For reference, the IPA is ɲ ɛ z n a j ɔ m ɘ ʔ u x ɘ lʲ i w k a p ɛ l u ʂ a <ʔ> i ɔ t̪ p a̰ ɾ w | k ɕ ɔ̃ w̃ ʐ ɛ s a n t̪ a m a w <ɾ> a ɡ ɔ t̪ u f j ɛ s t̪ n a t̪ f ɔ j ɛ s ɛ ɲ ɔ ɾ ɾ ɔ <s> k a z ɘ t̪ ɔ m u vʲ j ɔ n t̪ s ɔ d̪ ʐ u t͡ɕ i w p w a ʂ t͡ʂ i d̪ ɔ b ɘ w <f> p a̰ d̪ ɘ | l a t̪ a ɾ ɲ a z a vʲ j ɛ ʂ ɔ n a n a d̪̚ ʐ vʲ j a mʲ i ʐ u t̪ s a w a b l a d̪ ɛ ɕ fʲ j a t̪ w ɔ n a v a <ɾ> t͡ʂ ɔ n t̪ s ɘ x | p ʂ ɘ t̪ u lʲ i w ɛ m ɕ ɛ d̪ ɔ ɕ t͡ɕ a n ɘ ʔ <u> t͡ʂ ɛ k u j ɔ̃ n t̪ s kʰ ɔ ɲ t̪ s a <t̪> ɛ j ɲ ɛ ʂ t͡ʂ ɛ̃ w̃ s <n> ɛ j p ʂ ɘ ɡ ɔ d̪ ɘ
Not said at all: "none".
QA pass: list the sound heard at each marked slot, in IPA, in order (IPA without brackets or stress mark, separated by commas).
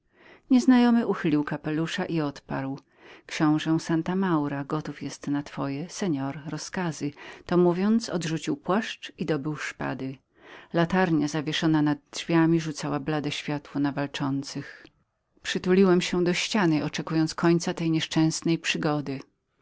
ʔ, ɾ, s, ʂ, l, ɔ, t̪, n